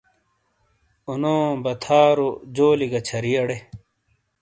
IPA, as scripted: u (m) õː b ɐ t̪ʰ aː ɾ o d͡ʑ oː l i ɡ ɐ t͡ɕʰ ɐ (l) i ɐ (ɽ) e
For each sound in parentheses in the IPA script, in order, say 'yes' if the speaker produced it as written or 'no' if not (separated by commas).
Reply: no, no, yes